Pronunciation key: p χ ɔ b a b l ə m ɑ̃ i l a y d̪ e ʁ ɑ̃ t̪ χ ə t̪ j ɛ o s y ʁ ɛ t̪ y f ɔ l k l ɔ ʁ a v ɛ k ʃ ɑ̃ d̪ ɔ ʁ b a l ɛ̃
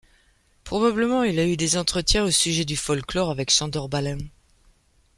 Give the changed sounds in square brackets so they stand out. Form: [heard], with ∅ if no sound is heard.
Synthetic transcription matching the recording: p χ ɔ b a b l ə m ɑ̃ i l a y d̪ e [z] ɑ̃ t̪ χ ə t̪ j [ɛ̃] o s y [ʒ] ɛ [d̪] y f ɔ l k l ɔ ʁ a v ɛ k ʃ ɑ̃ d̪ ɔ ʁ b a l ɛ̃